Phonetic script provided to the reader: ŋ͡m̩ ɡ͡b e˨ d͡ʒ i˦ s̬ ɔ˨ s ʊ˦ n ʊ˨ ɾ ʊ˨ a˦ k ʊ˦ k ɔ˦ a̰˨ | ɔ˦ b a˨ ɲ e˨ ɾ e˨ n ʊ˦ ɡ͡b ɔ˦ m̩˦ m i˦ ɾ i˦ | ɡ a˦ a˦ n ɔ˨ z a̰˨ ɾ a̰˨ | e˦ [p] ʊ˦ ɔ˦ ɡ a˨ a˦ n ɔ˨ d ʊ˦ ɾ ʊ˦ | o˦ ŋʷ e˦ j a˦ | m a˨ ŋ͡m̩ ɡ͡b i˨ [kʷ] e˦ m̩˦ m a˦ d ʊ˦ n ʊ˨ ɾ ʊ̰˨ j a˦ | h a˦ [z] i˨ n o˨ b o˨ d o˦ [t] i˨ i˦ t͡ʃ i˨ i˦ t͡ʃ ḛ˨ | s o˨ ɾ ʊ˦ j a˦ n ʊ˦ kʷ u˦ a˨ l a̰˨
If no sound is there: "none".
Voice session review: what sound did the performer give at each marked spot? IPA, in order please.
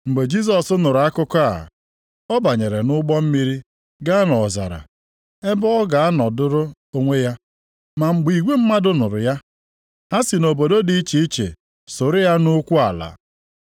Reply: b, ɡʷ, s, d

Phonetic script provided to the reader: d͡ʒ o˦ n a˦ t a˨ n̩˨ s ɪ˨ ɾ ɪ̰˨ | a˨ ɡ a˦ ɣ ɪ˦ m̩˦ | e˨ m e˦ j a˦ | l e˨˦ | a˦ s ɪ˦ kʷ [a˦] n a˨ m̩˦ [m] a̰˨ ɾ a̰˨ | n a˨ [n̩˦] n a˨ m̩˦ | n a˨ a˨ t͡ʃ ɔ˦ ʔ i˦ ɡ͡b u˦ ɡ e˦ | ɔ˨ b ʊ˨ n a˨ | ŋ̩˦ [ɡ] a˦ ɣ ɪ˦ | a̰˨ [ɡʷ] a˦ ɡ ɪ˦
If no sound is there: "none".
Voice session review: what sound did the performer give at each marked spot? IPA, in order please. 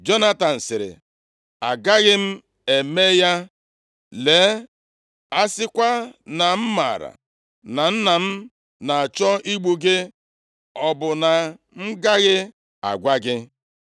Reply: a˦, m, n̩˦, ɡ, ɡʷ

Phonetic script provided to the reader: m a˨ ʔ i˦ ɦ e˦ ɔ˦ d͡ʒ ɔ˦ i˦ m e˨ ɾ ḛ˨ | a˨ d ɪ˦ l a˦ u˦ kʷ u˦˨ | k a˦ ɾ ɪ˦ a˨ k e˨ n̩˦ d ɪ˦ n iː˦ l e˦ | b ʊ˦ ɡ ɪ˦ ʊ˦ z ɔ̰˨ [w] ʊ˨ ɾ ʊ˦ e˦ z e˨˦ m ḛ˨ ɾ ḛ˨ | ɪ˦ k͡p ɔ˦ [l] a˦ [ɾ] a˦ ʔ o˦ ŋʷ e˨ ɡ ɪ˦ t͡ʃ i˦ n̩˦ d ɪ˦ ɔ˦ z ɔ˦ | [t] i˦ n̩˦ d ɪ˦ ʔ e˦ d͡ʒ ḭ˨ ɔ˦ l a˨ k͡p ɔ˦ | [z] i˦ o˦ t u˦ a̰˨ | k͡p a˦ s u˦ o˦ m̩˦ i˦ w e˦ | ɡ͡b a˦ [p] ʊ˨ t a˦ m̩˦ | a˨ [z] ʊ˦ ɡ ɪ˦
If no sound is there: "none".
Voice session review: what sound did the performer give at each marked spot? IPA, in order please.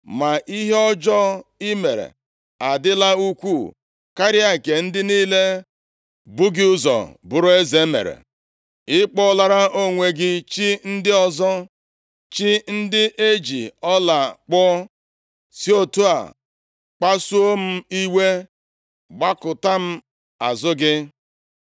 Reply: b, l, ɾ, t͡ʃ, s, k, z

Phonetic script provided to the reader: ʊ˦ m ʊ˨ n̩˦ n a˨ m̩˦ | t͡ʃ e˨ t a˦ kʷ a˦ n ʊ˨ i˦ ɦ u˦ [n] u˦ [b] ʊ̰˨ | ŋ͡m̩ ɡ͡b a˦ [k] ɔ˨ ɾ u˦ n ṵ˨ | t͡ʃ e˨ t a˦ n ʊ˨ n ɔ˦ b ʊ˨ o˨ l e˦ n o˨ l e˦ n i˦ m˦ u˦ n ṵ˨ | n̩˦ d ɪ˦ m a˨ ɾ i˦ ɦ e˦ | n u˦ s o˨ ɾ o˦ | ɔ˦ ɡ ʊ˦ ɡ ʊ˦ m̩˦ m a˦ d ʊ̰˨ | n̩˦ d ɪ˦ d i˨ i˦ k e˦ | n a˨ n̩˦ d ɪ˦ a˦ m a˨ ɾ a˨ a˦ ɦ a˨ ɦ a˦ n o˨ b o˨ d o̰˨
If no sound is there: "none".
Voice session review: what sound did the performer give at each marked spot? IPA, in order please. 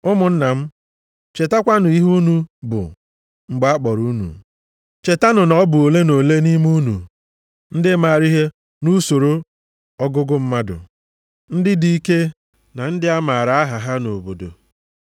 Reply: n, b, k͡p

